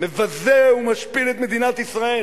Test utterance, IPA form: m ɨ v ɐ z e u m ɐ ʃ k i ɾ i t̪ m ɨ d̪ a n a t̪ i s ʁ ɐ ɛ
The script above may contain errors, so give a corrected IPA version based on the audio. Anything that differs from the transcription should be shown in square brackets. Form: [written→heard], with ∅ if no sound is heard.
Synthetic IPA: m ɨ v ɐ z e u m ɐ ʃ [k→p] i ɾ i t̪ m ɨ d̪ [a→i] n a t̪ i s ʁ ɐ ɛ